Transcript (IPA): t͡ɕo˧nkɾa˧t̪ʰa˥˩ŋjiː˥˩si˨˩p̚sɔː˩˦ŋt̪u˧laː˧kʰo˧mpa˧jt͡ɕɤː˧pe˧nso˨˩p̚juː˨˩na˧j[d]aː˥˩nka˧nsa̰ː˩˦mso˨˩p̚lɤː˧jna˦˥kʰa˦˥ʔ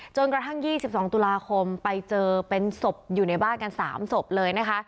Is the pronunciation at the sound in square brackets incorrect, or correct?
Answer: incorrect